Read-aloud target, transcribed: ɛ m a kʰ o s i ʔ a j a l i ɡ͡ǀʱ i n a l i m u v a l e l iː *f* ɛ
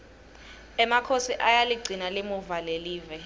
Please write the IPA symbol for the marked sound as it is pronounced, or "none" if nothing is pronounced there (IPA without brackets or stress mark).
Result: v